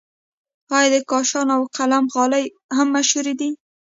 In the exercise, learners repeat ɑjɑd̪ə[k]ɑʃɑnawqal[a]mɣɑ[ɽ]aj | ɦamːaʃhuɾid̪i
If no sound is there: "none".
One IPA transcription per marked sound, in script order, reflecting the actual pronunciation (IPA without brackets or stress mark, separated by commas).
k, a, l